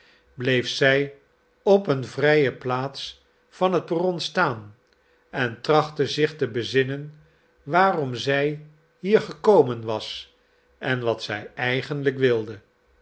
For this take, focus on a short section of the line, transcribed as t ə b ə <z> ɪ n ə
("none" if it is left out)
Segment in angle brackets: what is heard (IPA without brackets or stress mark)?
z